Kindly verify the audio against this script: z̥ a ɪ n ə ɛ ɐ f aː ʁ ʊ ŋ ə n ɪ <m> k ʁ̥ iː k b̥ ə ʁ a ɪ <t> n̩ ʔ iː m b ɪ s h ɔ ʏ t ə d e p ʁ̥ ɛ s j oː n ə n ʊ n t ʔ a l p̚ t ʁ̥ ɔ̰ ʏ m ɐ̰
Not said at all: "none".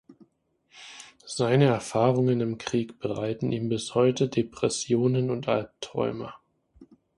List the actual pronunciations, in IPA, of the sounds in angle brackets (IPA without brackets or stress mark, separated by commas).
m, t